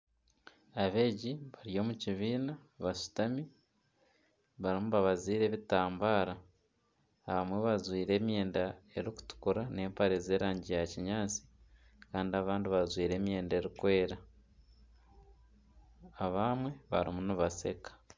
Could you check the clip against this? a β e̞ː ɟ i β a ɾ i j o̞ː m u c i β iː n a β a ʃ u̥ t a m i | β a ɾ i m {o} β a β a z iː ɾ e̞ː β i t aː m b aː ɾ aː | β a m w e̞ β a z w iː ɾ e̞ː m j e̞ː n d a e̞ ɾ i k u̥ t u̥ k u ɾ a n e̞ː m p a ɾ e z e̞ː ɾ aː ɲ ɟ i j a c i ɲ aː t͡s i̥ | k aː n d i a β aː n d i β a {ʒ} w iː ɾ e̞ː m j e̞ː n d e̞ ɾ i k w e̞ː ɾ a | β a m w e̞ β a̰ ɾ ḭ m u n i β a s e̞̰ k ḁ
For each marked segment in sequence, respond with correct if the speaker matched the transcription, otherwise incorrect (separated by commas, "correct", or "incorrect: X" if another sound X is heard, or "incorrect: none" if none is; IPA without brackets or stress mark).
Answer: incorrect: u, incorrect: z